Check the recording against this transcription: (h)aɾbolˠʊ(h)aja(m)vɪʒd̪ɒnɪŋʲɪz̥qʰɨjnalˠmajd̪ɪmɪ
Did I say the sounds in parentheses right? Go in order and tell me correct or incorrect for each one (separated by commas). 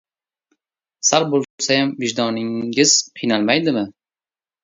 incorrect, incorrect, correct